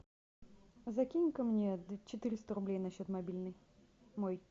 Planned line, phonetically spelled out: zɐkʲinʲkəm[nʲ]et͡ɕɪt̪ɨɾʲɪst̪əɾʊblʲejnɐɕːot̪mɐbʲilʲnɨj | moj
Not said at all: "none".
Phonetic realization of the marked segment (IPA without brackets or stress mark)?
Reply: nʲ